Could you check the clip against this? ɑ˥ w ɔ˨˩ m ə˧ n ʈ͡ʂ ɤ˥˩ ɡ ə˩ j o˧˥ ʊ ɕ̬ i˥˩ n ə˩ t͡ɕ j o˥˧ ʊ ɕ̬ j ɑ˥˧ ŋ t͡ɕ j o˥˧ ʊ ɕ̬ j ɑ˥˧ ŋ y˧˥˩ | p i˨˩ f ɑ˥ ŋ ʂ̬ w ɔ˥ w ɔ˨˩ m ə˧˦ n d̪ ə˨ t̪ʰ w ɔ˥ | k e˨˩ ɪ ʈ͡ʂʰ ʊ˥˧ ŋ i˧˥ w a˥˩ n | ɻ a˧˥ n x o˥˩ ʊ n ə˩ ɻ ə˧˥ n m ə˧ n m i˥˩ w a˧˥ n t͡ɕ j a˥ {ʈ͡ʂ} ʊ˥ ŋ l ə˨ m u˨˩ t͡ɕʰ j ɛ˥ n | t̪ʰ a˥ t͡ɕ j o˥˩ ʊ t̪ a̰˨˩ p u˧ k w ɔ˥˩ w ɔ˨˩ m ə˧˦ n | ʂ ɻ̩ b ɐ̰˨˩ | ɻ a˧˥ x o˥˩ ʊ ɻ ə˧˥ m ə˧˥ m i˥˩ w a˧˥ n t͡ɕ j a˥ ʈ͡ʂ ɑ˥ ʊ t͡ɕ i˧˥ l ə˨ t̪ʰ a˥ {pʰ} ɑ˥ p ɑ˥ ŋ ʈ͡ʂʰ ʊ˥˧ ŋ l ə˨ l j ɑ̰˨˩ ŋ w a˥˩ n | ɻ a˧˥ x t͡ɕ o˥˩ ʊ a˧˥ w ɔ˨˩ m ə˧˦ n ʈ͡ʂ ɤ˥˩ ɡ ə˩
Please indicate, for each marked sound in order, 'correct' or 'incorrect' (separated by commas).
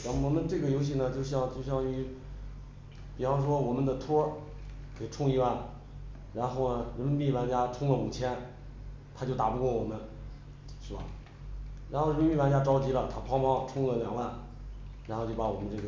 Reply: incorrect, correct